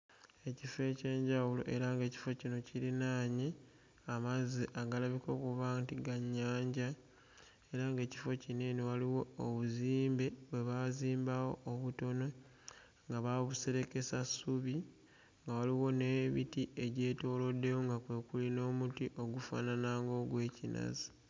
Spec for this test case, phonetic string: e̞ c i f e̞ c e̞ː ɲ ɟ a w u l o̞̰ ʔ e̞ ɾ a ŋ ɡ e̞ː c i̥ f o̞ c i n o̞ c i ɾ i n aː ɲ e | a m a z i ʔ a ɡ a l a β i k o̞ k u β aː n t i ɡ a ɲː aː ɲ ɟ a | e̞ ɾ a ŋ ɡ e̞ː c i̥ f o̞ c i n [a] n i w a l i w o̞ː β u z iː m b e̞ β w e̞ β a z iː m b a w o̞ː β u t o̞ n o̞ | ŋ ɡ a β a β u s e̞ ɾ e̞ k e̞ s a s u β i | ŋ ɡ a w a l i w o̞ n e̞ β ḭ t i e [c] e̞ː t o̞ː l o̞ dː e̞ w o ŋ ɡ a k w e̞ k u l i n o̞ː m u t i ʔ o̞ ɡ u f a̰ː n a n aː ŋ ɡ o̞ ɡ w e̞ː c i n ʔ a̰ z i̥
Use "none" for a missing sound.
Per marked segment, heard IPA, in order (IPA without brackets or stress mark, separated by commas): e, ɟ